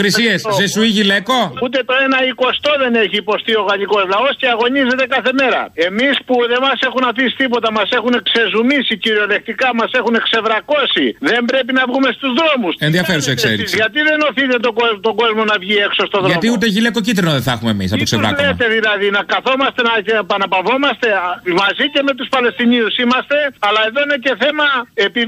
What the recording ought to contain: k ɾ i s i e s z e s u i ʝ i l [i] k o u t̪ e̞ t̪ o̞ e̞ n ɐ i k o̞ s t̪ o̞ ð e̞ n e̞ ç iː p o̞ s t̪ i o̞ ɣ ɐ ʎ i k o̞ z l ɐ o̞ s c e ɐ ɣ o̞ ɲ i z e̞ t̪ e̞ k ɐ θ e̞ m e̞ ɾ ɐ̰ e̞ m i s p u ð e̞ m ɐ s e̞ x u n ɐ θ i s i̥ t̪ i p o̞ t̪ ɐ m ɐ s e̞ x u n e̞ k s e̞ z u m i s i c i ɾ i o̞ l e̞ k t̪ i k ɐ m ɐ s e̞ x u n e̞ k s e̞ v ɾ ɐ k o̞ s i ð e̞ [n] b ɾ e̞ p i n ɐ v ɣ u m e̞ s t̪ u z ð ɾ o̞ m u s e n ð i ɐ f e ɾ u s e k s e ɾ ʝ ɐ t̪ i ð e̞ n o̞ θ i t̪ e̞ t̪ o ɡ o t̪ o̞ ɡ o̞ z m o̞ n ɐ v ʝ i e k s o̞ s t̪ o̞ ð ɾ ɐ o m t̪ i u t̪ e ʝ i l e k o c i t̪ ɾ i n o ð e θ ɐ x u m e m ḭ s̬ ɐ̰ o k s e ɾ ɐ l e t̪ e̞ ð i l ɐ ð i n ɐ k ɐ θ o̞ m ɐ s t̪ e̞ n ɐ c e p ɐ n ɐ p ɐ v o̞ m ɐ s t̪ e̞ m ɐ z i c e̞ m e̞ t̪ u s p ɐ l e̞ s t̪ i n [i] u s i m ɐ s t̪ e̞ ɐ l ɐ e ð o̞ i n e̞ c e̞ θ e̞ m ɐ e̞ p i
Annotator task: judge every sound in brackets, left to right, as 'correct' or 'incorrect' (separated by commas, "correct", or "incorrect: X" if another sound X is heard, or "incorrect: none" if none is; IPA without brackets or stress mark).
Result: incorrect: e, incorrect: m, correct